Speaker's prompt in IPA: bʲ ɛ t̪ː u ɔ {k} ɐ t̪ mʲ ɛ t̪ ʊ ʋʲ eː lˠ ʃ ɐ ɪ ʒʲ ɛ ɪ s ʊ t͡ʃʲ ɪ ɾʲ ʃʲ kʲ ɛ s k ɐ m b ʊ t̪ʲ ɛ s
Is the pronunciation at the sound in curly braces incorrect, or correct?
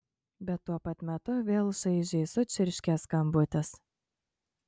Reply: incorrect